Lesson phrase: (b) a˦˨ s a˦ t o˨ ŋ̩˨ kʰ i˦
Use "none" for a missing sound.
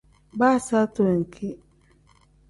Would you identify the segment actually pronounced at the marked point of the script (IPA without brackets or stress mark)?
b